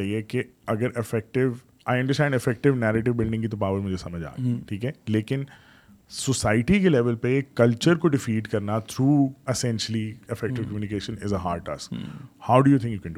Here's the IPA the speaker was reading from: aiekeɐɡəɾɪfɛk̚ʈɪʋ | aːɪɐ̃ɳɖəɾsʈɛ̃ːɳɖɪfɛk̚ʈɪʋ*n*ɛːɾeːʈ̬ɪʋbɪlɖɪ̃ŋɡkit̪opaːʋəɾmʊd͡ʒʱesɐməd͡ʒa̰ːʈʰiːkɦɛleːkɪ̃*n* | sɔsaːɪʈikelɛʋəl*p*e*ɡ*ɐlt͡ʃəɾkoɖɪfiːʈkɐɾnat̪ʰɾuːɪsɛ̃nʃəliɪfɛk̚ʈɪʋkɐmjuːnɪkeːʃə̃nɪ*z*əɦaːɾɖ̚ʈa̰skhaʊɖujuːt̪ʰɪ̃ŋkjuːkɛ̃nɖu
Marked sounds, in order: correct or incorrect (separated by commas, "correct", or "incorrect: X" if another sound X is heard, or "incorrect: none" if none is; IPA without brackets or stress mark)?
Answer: correct, correct, correct, incorrect: k, correct